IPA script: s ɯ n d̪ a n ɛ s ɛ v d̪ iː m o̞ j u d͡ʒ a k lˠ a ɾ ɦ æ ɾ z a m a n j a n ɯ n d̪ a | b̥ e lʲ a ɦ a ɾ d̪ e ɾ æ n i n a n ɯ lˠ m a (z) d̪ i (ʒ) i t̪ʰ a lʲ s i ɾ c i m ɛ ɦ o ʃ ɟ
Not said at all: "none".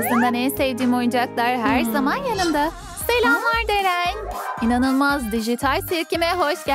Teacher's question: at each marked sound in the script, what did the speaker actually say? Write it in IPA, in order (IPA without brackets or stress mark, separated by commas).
z, ʒ